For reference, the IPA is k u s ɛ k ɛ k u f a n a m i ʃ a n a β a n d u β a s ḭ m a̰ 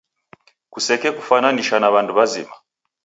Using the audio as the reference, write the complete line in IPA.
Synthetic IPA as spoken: k u s ɛ k ɛ k u f a n a n i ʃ a n a β a n d u β a z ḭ m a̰